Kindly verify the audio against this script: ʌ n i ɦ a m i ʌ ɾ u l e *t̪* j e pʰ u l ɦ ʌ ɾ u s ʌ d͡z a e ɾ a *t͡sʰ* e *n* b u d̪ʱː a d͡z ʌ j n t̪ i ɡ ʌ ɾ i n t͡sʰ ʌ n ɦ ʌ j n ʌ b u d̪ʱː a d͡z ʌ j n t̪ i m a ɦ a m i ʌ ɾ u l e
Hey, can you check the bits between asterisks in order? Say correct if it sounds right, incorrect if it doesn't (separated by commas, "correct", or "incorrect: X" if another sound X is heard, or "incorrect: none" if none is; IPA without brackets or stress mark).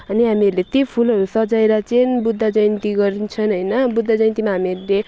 correct, incorrect: t͡s, correct